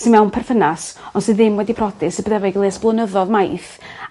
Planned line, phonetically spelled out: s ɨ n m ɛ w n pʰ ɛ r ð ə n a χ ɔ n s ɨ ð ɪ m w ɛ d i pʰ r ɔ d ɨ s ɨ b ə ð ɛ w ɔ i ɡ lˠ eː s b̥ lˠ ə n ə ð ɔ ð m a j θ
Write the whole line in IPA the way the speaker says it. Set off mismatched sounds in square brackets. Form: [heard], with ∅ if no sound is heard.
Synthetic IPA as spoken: s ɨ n m ɛ w n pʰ ɛ r [θ] ə n a [s] ɔ n s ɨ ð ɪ m w ɛ d i pʰ r ɔ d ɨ s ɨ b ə ð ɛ [v] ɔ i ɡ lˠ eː s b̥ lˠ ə n ə ð ɔ ð m a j θ